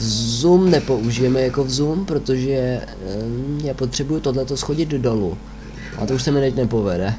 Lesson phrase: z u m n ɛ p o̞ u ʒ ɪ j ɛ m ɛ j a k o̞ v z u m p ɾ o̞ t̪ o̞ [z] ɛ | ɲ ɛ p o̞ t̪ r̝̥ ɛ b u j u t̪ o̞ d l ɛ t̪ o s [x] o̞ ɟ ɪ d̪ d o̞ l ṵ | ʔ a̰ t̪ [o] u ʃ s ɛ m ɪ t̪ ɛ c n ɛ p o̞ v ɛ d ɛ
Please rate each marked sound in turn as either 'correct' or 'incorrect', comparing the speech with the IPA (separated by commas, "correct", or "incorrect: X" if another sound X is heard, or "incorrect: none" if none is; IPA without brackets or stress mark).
incorrect: ʒ, correct, correct